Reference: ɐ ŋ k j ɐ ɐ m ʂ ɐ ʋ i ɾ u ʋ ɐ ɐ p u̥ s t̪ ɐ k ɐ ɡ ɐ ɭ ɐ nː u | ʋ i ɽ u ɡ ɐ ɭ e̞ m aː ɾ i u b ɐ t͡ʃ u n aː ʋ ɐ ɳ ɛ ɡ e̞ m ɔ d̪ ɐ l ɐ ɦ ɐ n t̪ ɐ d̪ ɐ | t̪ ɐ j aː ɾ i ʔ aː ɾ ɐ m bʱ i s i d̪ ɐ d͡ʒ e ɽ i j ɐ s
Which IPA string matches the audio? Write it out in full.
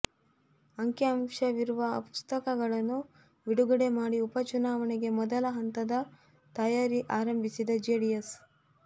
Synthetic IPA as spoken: ɐ ŋ k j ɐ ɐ m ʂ ɐ ʋ i ɾ u ʋ ɐ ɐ p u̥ s t̪ ɐ k ɐ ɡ ɐ ɭ ɐ nː u | ʋ i ɽ u ɡ ɐ ɽ e̞ m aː ɽ i u p ɐ t͡ʃ u n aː ʋ ɐ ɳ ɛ ɡ e̞ m ɔ d̪ ɐ l ɐ ɦ ɐ n t̪ ɐ d̪ ɐ | t̪ ɐ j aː ɾ i ʔ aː ɾ ɐ m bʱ i s i d̪ ɐ d͡ʒ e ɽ i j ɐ s